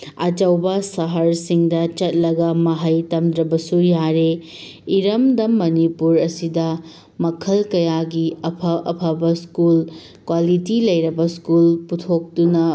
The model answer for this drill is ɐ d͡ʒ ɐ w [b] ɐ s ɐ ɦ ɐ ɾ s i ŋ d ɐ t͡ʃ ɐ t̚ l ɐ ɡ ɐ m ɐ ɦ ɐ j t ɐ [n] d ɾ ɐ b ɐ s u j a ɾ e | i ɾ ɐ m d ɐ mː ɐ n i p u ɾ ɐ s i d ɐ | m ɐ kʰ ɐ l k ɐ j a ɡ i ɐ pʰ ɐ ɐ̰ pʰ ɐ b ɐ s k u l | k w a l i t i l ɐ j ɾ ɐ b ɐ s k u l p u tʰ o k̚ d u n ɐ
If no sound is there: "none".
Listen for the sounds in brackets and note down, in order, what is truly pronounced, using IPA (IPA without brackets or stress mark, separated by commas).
b, m